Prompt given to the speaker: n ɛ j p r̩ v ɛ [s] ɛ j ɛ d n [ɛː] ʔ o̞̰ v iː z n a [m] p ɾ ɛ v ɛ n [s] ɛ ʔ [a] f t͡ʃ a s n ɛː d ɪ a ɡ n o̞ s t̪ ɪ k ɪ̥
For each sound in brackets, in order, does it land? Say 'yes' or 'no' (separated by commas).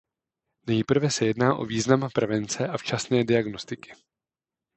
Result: yes, no, yes, no, yes